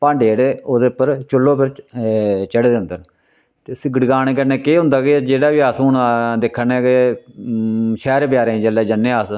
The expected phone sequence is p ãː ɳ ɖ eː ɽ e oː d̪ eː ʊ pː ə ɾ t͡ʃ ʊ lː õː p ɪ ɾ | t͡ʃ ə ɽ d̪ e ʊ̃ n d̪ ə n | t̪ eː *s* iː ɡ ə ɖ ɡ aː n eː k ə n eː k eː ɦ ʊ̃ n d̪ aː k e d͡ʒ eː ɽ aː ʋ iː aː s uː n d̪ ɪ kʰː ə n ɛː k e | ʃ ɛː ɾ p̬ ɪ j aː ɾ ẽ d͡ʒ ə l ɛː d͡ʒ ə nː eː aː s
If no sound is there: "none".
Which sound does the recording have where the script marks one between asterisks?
s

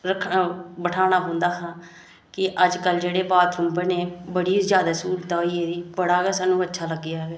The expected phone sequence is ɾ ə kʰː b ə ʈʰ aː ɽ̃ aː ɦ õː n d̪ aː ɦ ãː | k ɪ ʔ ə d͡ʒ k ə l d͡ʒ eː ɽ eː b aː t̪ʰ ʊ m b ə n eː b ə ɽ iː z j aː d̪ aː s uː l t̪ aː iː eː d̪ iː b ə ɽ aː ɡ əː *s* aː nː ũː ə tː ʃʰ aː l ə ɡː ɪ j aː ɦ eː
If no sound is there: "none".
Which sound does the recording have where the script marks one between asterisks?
s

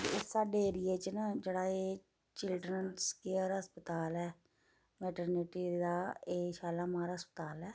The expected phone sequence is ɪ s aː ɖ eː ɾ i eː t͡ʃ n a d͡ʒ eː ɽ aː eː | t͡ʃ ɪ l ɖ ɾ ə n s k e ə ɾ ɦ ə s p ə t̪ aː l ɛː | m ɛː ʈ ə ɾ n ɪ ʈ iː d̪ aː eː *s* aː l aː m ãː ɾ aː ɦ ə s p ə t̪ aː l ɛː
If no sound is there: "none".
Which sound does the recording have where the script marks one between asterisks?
ʃ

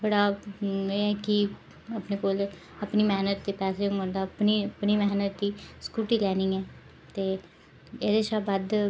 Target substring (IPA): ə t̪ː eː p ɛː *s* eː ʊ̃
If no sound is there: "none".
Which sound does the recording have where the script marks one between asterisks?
s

